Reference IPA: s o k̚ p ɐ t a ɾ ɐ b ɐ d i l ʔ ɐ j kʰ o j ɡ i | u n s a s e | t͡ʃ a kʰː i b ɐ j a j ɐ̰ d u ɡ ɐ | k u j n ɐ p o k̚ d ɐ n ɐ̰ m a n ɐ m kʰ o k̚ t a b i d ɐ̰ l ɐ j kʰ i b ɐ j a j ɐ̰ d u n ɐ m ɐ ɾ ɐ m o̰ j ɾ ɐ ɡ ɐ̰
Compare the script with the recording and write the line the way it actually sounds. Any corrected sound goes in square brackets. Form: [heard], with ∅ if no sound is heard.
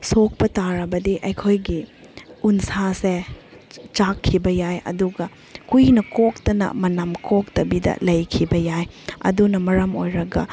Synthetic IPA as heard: s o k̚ p ɐ t a ɾ ɐ b ɐ d i [∅] ʔ ɐ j kʰ o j ɡ i | u n s a s e | t͡ʃ a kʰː i b ɐ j a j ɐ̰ d u ɡ ɐ | k u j n ɐ [k] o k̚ [t] ɐ n ɐ̰ m [ɐ] n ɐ m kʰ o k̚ t [ɐ] b i d ɐ̰ l ɐ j kʰ i b ɐ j a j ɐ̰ d u n ɐ m ɐ ɾ ɐ m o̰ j ɾ ɐ ɡ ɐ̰

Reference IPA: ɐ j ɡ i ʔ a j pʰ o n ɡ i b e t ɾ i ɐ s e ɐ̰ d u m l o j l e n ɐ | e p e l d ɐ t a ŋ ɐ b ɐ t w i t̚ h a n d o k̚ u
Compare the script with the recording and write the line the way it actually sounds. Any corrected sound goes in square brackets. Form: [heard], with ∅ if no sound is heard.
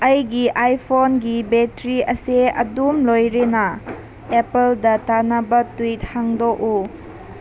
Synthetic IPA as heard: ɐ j ɡ i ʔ a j pʰ o n ɡ i b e t ɾ i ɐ s e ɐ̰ d u m l o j [ɾ] e n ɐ | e p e l d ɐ t a [n] ɐ b ɐ t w i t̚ h a [ŋ] d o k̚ u

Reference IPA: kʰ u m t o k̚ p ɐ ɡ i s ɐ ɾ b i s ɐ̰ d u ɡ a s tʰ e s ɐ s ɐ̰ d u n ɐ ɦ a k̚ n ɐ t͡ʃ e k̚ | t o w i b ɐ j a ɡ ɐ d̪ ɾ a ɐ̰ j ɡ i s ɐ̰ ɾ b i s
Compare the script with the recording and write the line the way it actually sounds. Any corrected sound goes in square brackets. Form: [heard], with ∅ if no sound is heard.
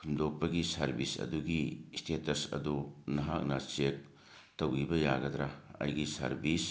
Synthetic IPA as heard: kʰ u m [d] o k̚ p ɐ ɡ i s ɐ ɾ b i s ɐ̰ d u ɡ [i] s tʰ e [t] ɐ s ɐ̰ d u n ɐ ɦ a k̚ n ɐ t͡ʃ e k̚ | t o w i b ɐ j a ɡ ɐ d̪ ɾ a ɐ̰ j ɡ i s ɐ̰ ɾ b i s

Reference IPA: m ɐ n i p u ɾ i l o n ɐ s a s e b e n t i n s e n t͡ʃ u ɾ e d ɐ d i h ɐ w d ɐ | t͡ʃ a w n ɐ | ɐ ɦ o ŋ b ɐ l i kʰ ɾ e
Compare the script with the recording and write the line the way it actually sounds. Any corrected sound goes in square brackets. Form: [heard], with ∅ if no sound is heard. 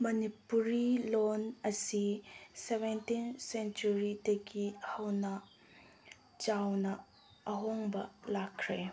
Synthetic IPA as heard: m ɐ n i p u ɾ i l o n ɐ s [i] s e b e n t i n s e n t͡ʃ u ɾ [i] d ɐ [ɡ] i h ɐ w [n] ɐ | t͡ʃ a w n ɐ | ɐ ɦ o ŋ b ɐ l [a] kʰ ɾ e

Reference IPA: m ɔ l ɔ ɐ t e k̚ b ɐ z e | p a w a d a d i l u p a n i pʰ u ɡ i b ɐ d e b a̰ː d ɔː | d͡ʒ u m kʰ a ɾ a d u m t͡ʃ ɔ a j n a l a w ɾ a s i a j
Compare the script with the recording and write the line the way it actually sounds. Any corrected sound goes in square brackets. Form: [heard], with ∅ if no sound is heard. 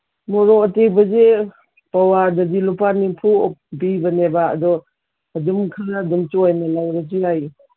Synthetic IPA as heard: m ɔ [ɾ] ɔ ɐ t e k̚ b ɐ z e | p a w a d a d i l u p a n i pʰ u [b] i b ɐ [n] e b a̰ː d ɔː | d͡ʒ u m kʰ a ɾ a d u m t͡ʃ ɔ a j n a l a w ɾ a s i a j

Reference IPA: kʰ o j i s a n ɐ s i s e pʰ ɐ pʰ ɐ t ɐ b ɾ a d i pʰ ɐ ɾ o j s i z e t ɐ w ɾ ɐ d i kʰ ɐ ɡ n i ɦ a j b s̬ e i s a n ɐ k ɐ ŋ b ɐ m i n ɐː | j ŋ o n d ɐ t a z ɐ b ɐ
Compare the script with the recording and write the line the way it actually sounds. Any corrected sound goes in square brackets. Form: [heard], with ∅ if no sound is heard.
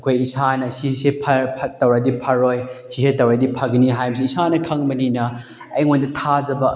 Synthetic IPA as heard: kʰ o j i s a n ɐ s i s e pʰ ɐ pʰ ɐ t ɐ [w] ɾ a d i pʰ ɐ ɾ o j s i [s] e t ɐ w ɾ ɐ d i [pʰ] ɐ ɡ n i ɦ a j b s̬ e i s a n ɐ [kʰ] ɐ ŋ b ɐ [n] i n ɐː | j ŋ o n d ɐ [tʰ] a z ɐ b ɐ

